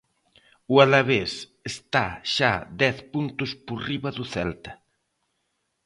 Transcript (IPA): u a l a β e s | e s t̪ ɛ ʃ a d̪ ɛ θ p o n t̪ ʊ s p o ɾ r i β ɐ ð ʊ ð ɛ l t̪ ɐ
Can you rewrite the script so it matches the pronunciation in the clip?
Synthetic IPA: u a l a β e s | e s t̪ a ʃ a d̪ ɛ θ p u n t̪ ʊ s p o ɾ r i β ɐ ð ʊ θ ɛ l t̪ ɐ